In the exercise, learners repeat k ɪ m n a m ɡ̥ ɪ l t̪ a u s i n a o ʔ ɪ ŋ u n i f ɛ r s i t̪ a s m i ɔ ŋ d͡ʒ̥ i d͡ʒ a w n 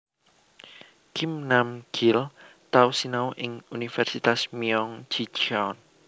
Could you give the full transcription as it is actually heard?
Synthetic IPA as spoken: k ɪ m n a m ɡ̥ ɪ l t̪ a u s i n a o ʔ ɪ ŋ u n i f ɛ r s i t̪ a s m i ɔ ŋ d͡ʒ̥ i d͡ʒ a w n